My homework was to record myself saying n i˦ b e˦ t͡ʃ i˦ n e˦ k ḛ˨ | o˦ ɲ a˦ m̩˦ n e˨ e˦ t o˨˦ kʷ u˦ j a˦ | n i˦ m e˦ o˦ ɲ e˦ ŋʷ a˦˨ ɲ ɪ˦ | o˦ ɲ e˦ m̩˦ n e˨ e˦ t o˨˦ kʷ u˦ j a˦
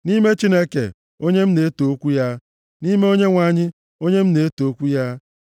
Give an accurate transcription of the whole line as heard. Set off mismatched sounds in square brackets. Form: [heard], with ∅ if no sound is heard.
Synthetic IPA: n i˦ [m] e˦ t͡ʃ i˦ n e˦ k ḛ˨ | o˦ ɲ [e˦] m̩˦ n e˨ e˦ t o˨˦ kʷ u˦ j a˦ | n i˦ m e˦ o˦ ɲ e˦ ŋʷ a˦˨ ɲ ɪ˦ | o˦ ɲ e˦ m̩˦ n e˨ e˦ t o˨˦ kʷ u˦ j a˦

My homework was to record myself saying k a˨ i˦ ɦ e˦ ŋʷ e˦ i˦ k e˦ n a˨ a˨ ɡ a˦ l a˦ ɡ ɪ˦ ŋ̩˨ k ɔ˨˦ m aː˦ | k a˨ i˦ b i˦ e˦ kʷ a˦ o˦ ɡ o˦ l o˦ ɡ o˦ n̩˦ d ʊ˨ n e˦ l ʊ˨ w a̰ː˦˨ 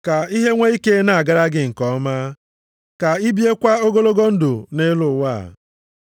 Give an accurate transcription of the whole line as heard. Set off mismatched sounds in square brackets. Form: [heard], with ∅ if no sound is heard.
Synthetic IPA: k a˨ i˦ ɦ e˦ ŋʷ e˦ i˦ k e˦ n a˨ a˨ ɡ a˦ [ɾ] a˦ ɡ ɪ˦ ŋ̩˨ k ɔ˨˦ m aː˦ | k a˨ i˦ b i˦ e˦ kʷ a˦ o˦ ɡ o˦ l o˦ ɡ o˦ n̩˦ d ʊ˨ n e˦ l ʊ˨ w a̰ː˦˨

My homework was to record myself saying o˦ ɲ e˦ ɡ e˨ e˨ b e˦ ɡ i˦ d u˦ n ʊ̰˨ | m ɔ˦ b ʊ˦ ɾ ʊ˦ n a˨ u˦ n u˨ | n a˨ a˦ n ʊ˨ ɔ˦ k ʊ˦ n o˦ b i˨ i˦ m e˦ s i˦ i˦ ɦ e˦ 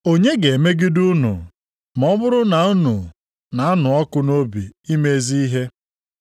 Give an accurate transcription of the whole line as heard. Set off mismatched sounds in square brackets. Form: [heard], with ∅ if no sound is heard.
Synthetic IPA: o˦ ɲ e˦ ɡ e˨ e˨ [m] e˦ ɡ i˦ d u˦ n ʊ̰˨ | m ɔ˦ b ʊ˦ ɾ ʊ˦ n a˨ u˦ n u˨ | n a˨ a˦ n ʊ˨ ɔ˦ k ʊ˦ n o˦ b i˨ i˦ m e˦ [z] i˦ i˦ ɦ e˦

